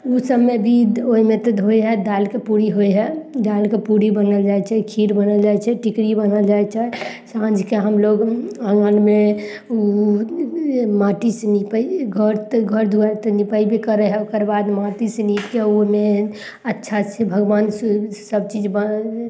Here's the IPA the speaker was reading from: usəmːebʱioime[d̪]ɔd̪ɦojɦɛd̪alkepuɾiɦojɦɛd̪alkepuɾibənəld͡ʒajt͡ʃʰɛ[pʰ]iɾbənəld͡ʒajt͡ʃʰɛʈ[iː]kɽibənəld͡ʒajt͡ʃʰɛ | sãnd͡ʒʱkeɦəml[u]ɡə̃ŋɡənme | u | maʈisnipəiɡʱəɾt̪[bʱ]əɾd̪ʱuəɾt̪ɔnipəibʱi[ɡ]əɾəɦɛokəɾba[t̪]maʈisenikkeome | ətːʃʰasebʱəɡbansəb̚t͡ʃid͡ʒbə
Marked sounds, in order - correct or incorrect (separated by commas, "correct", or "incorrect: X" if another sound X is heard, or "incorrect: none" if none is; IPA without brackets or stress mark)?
incorrect: t̪, incorrect: kʰ, incorrect: i, incorrect: o, incorrect: ɡʱ, incorrect: k, incorrect: d̪